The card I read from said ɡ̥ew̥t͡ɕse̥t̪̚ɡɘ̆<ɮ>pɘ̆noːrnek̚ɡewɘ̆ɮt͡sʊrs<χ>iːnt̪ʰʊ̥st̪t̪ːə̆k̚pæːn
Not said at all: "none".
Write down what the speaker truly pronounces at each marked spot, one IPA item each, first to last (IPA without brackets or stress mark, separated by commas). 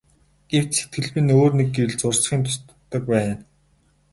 ɮ, χ